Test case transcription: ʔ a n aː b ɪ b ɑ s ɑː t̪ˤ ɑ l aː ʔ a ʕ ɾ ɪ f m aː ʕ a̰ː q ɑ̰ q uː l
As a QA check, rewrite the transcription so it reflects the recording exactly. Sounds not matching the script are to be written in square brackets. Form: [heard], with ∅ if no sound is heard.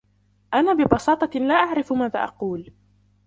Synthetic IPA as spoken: ʔ a n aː b ɪ b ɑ s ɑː t̪ˤ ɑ l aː ʔ a ʕ ɾ ɪ f m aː [ð] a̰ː [ʔ] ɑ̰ q uː l